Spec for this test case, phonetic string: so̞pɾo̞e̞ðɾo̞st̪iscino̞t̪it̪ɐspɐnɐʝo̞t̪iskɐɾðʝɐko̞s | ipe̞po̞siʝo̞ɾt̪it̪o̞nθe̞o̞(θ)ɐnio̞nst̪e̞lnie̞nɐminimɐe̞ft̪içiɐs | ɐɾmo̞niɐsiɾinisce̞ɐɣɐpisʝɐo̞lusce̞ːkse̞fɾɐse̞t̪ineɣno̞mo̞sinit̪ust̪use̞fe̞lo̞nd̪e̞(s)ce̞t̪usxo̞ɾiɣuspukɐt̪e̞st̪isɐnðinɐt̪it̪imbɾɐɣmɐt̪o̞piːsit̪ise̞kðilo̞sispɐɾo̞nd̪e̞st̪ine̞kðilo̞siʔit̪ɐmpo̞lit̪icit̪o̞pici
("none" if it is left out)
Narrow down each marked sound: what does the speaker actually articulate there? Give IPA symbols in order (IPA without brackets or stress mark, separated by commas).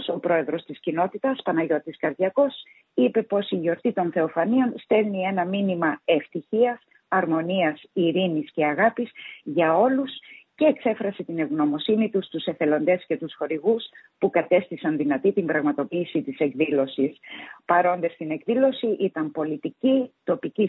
f, s